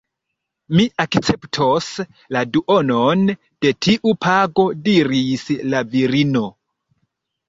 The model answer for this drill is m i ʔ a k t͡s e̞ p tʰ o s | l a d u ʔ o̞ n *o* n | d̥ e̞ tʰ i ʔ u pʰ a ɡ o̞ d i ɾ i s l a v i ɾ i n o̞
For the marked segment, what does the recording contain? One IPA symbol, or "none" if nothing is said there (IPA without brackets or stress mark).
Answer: o